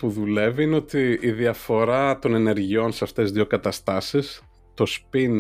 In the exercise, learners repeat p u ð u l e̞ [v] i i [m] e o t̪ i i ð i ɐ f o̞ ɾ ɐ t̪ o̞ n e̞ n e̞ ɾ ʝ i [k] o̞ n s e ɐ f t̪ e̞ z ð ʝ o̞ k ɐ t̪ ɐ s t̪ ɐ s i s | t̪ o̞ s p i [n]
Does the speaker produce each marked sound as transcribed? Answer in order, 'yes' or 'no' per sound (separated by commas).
yes, no, no, yes